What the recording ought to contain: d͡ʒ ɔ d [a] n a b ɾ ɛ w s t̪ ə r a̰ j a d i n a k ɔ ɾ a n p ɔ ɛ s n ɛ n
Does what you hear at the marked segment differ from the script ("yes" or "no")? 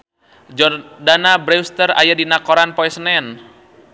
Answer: no